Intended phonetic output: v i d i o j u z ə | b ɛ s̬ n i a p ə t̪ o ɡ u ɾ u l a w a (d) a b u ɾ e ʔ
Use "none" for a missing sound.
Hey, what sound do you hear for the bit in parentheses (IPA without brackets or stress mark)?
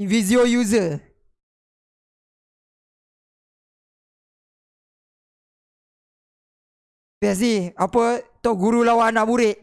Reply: n